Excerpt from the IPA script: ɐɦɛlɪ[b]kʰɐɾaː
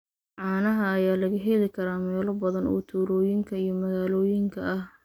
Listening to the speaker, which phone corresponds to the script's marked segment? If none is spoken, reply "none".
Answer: none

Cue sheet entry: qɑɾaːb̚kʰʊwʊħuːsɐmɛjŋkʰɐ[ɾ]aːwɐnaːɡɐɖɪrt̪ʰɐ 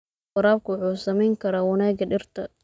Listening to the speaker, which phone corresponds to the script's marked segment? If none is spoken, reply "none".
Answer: ɾ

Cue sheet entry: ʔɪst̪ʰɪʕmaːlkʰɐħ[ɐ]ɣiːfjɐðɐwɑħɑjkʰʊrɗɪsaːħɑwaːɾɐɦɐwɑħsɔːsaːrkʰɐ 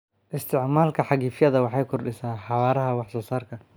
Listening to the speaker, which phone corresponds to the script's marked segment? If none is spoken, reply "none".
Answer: ɑ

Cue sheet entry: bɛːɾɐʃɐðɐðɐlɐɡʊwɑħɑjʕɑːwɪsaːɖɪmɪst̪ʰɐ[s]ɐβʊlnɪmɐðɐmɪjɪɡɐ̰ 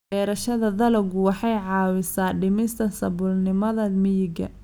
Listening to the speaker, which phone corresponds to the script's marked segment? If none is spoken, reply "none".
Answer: s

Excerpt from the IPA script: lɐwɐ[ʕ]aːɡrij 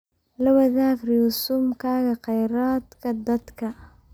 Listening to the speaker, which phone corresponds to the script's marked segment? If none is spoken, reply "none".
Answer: ð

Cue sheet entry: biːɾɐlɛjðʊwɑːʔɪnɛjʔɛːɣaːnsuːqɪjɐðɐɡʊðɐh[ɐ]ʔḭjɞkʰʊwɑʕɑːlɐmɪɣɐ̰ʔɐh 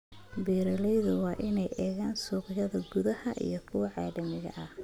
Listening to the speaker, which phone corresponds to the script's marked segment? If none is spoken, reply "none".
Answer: ɐ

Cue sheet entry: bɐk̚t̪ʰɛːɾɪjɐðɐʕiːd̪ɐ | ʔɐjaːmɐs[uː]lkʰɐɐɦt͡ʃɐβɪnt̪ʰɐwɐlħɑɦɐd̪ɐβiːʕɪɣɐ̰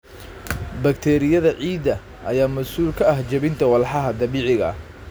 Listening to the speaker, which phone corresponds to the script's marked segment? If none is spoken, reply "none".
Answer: uː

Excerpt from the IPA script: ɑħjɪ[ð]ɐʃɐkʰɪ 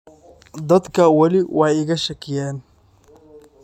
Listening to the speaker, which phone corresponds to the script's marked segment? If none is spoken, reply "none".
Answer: ɣ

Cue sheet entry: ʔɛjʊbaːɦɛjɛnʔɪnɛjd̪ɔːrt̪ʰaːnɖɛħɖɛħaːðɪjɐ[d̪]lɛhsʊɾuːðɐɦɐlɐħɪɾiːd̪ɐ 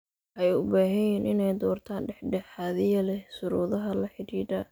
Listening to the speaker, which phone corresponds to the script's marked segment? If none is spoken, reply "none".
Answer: none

